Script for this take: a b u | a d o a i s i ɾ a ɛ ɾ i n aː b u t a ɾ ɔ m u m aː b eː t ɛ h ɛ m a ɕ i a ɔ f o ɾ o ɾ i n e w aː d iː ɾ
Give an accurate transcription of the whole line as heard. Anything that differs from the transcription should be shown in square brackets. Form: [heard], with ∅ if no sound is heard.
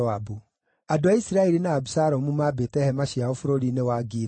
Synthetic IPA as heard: a b u | a d o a i s i ɾ a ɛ ɾ i n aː b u [s] a ɾ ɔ m u m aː b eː t ɛ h ɛ m a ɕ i a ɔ f o ɾ o ɾ i n e w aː [ɡ] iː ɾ